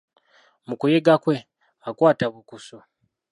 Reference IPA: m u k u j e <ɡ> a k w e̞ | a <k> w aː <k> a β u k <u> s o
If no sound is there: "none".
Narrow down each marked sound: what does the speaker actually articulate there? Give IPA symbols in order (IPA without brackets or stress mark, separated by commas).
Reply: ɡ, k, t, u